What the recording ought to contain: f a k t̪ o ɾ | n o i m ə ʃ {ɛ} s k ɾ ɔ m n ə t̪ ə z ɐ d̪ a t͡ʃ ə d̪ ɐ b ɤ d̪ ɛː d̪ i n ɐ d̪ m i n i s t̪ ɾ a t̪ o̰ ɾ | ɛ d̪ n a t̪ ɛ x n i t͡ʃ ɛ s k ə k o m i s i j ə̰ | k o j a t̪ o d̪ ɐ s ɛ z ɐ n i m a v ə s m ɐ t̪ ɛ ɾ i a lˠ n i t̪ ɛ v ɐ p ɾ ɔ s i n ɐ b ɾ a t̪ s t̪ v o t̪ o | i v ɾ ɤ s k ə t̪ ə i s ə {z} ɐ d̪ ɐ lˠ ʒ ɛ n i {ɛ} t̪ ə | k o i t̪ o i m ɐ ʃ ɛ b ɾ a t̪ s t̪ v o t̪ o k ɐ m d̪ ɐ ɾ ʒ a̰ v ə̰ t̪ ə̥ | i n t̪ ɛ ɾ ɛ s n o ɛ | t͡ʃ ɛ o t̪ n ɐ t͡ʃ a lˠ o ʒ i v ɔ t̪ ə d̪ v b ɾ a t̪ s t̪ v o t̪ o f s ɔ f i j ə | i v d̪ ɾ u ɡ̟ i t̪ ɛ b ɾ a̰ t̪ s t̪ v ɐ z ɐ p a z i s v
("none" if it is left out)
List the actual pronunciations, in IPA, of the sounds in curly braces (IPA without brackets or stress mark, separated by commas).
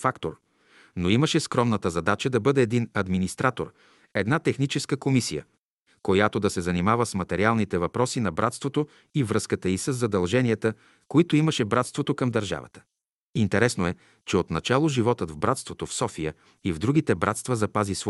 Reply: ɛ, zː, ɛ